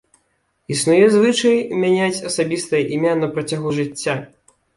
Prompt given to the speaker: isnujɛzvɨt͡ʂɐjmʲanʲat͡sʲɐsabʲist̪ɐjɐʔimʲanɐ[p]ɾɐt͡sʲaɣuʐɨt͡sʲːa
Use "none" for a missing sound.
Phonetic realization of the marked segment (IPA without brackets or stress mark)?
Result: p